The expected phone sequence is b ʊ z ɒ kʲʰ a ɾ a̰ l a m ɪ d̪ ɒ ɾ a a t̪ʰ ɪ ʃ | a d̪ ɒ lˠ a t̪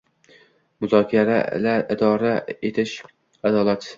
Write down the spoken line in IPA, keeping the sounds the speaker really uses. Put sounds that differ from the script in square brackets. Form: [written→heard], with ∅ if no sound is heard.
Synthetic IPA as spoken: [b→m] ʊ z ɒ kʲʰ a ɾ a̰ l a [m→∅] ɪ d̪ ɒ ɾ a [a→e] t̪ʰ ɪ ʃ | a d̪ ɒ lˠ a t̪

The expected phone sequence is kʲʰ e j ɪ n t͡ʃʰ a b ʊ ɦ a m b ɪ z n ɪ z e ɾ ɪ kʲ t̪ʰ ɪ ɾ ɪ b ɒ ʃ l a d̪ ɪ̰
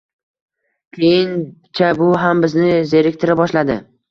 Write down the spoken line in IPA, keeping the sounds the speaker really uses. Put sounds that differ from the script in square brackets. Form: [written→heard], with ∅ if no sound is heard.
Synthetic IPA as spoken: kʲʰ e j ɪ n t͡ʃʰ a b ʊ ɦ a m b ɪ z n ɪ z e ɾ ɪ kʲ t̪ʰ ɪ ɾ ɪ b ɒ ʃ l a d̪ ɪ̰

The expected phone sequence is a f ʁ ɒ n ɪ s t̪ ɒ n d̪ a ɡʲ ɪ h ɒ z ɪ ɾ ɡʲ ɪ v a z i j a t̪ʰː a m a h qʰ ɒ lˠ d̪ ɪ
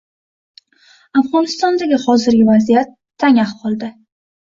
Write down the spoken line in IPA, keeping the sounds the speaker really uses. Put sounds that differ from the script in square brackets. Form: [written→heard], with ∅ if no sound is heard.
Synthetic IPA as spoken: a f ʁ ɒ n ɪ s t̪ ɒ n d̪ a ɡʲ ɪ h ɒ z ɪ ɾ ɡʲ ɪ v a z i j a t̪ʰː a [m→ŋ] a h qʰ ɒ lˠ d̪ ɪ

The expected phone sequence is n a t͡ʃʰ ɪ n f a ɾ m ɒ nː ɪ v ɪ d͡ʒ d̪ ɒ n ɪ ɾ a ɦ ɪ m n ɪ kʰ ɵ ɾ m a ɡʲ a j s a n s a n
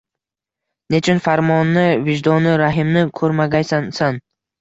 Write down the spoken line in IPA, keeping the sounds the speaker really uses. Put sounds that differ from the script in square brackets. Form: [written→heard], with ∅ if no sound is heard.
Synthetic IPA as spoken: n [a→e] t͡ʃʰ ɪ n f a ɾ m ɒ nː ɪ v ɪ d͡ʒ d̪ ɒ n ɪ ɾ a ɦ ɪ m n ɪ kʰ ɵ ɾ m a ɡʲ a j s a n s a n

